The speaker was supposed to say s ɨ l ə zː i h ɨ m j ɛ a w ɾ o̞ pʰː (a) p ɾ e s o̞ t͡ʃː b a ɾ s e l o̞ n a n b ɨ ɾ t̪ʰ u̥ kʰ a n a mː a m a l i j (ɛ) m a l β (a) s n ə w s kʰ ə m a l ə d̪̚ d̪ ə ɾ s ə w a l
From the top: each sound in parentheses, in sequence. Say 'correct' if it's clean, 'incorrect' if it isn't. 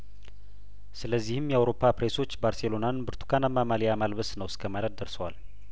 correct, incorrect: a, incorrect: ə

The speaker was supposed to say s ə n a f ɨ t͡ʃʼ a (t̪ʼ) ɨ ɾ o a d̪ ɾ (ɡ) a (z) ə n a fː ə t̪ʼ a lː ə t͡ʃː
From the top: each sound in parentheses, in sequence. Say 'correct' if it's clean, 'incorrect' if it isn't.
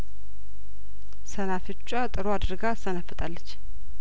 correct, correct, incorrect: s

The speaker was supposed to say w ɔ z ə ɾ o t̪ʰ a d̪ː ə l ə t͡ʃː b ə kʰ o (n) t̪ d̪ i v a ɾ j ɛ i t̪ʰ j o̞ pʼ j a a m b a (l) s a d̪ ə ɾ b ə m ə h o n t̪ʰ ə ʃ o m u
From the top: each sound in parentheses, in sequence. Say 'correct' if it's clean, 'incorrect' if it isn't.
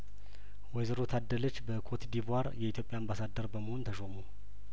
incorrect: none, incorrect: none

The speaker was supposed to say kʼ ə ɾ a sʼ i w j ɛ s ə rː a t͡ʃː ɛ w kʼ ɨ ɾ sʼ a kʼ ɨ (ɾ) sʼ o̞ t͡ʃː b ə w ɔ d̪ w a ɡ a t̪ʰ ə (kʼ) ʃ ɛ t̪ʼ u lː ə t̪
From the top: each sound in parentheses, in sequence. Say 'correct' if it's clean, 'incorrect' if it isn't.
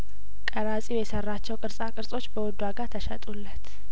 correct, incorrect: none

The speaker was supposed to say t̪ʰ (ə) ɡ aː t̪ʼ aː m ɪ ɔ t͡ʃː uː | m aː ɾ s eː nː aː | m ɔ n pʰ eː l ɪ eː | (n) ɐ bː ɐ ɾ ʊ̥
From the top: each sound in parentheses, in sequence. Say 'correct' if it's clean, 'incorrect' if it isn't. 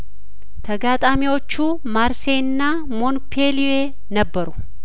incorrect: ɐ, correct

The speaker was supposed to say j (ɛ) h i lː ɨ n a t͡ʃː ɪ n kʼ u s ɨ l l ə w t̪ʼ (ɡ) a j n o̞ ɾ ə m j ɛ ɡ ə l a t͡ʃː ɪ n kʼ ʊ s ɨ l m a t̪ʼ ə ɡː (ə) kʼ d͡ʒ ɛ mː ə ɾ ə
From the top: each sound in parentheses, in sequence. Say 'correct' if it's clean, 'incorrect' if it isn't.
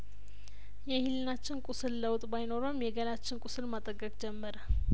correct, incorrect: b, correct

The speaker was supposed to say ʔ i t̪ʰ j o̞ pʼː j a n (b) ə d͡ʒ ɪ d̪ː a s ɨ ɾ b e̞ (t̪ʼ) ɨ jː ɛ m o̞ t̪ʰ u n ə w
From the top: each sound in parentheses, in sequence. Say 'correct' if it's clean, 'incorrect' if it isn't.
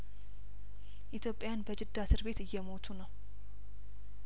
correct, incorrect: t̪

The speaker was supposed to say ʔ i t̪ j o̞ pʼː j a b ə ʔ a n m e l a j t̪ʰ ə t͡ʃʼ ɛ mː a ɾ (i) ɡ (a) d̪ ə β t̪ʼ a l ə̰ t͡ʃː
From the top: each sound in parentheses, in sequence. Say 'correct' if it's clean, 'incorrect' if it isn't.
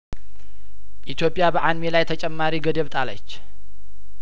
correct, incorrect: ə

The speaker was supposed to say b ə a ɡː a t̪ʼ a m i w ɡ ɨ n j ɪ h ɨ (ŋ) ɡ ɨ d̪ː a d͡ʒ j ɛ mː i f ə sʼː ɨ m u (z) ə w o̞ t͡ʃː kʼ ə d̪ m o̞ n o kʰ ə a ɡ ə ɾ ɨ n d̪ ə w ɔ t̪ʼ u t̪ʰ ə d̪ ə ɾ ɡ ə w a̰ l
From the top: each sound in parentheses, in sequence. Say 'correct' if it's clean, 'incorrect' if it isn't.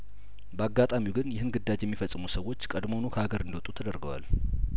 incorrect: n, incorrect: s

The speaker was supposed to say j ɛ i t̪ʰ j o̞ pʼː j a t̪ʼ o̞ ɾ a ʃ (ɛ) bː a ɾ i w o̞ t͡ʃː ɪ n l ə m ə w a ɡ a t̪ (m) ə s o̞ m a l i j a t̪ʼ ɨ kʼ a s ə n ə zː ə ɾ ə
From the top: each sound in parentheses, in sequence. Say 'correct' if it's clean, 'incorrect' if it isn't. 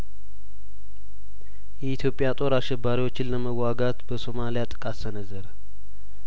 correct, incorrect: b

